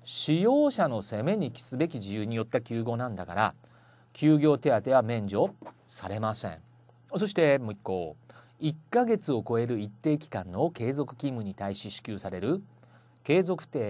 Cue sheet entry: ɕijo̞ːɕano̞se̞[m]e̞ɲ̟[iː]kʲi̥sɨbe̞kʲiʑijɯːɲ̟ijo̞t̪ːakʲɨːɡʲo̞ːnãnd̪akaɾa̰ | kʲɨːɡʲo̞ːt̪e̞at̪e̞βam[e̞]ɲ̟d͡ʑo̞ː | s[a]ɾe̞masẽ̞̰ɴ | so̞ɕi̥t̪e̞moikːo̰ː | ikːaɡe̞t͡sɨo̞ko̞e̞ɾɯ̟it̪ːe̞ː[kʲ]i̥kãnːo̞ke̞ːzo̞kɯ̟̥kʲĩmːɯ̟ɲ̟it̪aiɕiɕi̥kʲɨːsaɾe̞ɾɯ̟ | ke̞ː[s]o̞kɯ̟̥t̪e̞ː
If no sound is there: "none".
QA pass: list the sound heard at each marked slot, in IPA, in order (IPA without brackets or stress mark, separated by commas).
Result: m, i, ẽ̞, a, kʲ, z